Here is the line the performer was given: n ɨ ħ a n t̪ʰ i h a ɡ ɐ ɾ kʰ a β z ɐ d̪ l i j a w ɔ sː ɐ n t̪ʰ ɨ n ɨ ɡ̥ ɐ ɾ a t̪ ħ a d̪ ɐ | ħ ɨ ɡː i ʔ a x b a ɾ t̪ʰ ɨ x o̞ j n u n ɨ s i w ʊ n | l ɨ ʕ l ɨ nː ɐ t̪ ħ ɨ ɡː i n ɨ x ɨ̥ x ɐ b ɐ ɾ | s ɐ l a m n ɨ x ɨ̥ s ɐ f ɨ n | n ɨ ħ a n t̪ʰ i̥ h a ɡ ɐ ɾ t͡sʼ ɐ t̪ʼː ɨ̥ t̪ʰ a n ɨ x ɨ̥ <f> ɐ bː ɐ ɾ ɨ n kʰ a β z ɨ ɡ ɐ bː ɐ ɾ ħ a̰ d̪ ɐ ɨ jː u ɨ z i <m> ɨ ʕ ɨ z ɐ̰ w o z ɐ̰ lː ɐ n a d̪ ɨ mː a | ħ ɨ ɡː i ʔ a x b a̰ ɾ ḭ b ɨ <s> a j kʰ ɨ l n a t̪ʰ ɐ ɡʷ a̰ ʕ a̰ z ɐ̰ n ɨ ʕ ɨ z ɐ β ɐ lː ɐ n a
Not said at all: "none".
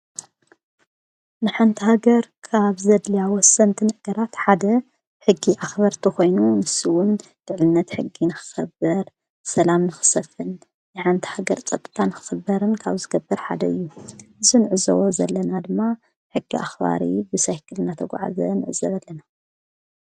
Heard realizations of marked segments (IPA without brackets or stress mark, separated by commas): x, n, s